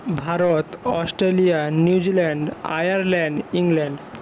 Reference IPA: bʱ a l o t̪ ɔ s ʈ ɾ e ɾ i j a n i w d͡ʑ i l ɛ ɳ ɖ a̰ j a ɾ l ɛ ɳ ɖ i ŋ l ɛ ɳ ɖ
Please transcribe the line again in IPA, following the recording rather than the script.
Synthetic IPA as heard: bʱ a ɾ o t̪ ɔ s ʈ ɾ e l i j a n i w d͡ʑ i l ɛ ɳ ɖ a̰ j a ɾ l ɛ ɳ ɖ i ŋ l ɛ ɳ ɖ